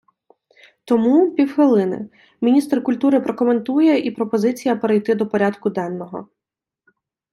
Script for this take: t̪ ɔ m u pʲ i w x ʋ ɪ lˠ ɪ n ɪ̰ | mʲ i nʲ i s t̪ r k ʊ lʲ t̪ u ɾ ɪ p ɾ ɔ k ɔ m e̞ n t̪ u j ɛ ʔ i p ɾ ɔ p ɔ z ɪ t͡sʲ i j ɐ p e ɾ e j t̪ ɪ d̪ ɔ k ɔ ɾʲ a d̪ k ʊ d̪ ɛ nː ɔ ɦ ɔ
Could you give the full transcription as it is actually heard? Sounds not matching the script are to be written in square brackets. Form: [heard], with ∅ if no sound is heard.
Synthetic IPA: t̪ ɔ m u pʲ i w x ʋ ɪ lˠ ɪ n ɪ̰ | mʲ i nʲ i s t̪ r k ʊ lʲ t̪ u ɾ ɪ p ɾ ɔ k ɔ m e̞ n t̪ u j ɛ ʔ i p ɾ ɔ p ɔ z ɪ t͡sʲ i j ɐ p e ɾ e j t̪ ɪ d̪ ɔ [p] ɔ ɾʲ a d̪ k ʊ d̪ ɛ nː ɔ ɦ ɔ

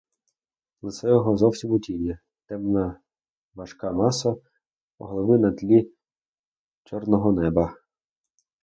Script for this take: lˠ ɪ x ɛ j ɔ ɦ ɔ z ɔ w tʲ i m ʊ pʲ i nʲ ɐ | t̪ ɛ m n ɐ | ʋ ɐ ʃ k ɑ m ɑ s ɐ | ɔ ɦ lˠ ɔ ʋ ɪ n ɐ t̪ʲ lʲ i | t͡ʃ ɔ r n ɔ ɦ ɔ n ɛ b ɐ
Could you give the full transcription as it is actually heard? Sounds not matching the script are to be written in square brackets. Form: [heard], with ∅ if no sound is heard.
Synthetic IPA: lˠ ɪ [s] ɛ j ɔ ɦ ɔ z ɔ w [sʲ] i m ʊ [tʲ] i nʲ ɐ | t̪ ɛ m n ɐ | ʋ ɐ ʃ k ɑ m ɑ s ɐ | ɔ ɦ lˠ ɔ ʋ ɪ n ɐ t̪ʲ lʲ i | t͡ʃ ɔ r n ɔ ɦ ɔ n ɛ b ɐ

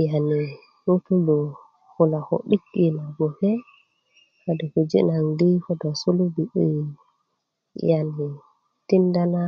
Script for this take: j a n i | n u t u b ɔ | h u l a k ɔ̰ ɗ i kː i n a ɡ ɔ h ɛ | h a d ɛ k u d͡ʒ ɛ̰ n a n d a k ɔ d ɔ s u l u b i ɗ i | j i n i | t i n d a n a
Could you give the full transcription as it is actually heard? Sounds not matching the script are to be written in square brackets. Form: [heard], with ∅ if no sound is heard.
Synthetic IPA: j a n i | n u t u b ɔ | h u l a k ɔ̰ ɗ i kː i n a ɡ ɔ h ɛ | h a d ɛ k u d͡ʒ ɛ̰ n a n d [i] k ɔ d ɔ s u l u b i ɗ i | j [a] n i | t i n d a n a

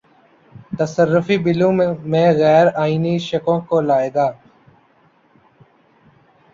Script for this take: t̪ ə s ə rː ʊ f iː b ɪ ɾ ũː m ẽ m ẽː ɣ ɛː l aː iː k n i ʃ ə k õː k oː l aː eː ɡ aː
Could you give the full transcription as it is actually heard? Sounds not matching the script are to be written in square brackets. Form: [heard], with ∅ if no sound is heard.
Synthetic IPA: t̪ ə s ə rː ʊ f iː b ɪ [l] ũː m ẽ m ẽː ɣ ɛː [ɾ] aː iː [∅] n i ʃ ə k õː k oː l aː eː ɡ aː

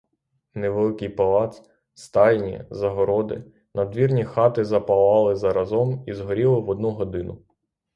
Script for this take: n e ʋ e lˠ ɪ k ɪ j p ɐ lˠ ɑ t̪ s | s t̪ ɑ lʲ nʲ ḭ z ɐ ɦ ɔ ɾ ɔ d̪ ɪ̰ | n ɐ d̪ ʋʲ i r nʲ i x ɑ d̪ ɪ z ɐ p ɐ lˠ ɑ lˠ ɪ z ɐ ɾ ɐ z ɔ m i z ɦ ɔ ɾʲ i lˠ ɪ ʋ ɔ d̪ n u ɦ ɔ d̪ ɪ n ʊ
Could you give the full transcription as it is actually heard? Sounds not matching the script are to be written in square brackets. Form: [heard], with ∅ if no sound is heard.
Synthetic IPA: n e ʋ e lˠ ɪ k ɪ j p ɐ lˠ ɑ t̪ s | s t̪ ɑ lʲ nʲ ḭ z ɐ ɦ ɔ ɾ ɔ d̪ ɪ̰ | n ɐ d̪ ʋʲ i r nʲ i x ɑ [t̪] ɪ z ɐ p ɐ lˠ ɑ lˠ ɪ z ɐ ɾ ɐ z ɔ m i z ɦ ɔ ɾʲ i lˠ ɪ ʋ ɔ d̪ n u ɦ ɔ d̪ ɪ n ʊ

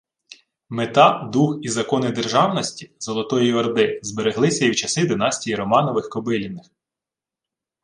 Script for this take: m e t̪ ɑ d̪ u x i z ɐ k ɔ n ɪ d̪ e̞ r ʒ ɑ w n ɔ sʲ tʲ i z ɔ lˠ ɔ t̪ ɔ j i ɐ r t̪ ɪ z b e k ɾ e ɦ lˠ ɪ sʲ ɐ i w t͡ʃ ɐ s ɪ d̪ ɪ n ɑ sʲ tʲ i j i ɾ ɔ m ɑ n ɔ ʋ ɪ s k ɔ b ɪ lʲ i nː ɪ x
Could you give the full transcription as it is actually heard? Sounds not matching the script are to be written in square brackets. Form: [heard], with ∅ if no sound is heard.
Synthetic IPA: m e t̪ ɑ d̪ u x i z ɐ k ɔ n ɪ d̪ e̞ r ʒ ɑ w n ɔ sʲ tʲ i z ɔ lˠ ɔ t̪ ɔ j i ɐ r [d̪] ɪ z b e [∅] ɾ e ɦ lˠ ɪ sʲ ɐ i w t͡ʃ ɐ s ɪ d̪ ɪ n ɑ sʲ tʲ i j i ɾ ɔ m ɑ n ɔ ʋ ɪ [x] k ɔ b ɪ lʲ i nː ɪ x

